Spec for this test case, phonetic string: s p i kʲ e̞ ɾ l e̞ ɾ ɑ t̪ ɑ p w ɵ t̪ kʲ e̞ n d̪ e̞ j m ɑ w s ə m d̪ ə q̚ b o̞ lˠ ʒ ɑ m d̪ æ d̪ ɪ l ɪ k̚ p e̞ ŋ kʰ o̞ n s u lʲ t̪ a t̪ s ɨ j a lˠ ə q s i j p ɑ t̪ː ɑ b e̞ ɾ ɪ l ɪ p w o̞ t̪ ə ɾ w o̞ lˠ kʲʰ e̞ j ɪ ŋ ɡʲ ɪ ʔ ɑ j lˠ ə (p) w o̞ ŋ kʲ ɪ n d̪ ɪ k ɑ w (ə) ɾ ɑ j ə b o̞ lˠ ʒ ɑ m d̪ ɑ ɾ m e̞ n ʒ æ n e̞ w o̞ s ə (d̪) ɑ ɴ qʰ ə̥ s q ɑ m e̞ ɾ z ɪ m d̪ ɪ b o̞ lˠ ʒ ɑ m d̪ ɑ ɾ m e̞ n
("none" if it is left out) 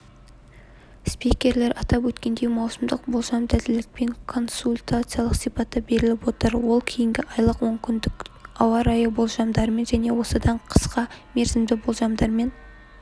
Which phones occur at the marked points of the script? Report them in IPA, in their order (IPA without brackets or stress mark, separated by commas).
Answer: q, ɑ, d̪